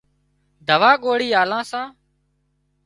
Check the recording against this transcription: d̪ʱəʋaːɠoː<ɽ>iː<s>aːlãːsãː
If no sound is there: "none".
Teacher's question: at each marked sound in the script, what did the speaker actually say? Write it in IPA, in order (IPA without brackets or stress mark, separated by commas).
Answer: ɽ, none